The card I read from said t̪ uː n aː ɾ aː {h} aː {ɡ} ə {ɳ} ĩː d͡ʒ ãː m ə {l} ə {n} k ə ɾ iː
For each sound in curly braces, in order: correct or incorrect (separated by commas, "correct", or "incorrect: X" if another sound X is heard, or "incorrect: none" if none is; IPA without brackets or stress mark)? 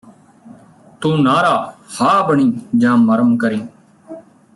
correct, incorrect: b, correct, incorrect: ɾ, incorrect: m